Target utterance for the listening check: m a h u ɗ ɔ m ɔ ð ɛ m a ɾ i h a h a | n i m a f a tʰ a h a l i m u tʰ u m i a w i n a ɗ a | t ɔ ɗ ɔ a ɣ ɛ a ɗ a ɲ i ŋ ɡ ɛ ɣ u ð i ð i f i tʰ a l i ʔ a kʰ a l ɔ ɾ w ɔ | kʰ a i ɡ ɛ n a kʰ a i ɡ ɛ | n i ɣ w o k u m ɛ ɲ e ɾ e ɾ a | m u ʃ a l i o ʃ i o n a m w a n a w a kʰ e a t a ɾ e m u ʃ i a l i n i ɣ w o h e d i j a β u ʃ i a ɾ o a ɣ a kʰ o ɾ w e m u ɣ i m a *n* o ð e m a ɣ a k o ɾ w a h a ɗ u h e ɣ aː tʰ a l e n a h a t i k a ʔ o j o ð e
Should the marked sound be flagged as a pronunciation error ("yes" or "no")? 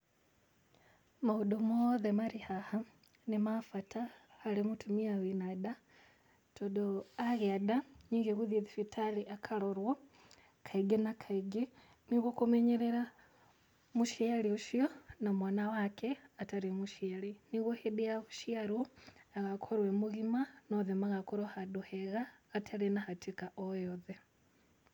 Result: no